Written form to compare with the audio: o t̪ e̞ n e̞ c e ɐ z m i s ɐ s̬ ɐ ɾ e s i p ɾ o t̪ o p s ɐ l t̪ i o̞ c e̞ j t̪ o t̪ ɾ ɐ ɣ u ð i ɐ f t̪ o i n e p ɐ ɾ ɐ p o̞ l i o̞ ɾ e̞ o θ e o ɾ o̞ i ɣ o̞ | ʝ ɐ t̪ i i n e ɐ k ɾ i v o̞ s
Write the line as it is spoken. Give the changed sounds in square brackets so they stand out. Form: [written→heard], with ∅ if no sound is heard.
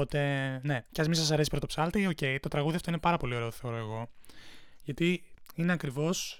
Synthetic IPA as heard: o t̪ e̞ n e̞ c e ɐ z m i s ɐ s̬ ɐ ɾ e s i p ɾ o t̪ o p s ɐ l t̪ i o̞ c e̞ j t̪ o t̪ ɾ ɐ ɣ u ð i ɐ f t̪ o i n e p ɐ ɾ ɐ p o̞ l i o̞ ɾ e̞ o θ e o ɾ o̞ [i→e] ɣ o̞ | ʝ ɐ t̪ i i n e ɐ k ɾ i v o̞ s